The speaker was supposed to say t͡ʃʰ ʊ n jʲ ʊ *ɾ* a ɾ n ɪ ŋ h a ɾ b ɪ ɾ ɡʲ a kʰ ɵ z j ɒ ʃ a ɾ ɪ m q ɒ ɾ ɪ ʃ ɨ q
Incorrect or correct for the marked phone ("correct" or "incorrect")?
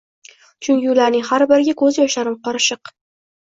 incorrect